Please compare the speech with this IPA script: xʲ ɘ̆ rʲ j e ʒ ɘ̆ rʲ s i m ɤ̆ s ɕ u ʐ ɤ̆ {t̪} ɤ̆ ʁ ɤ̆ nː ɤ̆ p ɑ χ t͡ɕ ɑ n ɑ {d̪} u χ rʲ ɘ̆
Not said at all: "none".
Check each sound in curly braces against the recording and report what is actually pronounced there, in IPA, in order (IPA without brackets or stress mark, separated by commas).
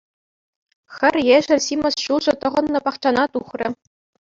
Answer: t̪, t̪